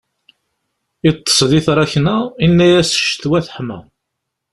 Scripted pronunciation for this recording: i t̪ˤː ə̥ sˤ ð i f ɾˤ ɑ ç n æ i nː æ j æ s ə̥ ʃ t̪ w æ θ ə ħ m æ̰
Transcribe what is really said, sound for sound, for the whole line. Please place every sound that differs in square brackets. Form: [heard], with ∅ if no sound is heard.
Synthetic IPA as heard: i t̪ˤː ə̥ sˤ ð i [θ] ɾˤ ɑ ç n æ i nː æ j æ s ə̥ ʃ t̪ w æ θ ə ħ m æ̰